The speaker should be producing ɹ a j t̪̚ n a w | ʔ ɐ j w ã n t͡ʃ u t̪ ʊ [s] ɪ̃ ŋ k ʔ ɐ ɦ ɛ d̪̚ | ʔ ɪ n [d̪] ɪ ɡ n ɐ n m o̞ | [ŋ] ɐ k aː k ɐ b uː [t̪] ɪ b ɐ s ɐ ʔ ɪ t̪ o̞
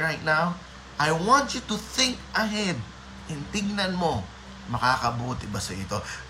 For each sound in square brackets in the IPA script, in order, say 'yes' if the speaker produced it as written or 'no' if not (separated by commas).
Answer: no, no, no, yes